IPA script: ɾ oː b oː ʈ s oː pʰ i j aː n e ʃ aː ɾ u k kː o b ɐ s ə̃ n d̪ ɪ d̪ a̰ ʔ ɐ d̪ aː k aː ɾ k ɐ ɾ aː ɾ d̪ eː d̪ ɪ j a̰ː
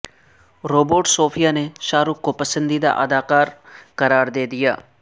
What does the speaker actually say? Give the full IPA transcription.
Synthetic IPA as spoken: ɾ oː b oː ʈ s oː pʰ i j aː n e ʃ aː ɾ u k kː o p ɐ s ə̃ n d̪ i d̪ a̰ ʔ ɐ d̪ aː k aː ɾ k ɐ ɾ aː ɾ d̪ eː d̪ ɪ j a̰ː